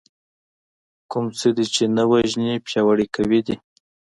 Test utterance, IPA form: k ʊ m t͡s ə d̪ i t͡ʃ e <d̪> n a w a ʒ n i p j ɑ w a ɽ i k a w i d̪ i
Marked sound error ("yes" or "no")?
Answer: yes